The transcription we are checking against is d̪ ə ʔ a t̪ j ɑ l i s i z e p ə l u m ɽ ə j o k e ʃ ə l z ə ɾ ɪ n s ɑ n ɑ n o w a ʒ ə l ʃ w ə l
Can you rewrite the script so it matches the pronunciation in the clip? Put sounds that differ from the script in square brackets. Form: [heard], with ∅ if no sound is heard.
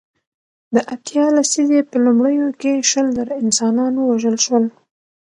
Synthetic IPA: d̪ ə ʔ a t̪ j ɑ l [a] s i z e p ə l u m ɽ ə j o k e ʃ ə l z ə ɾ ɪ n s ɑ n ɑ n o w a ʒ ə l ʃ w ə l